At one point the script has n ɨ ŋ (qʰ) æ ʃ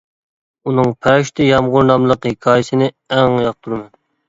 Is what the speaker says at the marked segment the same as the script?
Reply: no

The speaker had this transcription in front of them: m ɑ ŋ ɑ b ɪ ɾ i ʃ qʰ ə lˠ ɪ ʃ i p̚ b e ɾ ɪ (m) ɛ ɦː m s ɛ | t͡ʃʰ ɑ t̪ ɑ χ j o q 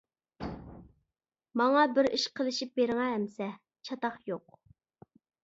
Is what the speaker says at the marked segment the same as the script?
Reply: no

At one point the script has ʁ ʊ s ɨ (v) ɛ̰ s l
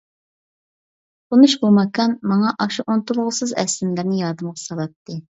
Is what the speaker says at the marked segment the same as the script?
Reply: no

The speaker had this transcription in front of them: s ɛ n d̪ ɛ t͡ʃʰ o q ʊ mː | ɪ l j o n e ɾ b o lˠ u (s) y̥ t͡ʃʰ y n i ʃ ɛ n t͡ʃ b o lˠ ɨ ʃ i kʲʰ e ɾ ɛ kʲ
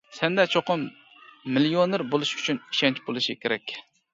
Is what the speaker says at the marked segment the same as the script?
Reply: no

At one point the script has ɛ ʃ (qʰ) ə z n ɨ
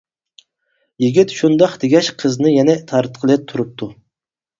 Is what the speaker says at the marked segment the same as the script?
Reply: yes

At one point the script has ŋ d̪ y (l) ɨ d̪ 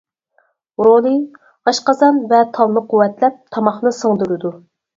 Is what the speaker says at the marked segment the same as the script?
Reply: no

